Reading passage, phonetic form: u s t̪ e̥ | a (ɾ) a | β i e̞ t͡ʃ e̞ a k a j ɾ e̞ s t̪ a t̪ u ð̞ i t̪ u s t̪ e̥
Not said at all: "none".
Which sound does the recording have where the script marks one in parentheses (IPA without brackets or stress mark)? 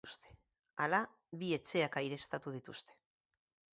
l